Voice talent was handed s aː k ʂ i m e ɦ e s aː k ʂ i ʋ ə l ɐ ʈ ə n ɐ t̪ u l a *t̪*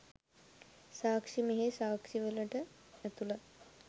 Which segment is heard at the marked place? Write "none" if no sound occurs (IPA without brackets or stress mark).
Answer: none